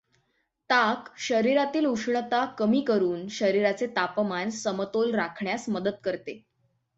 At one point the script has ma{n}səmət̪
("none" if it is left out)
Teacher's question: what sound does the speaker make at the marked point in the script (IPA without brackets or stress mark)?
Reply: n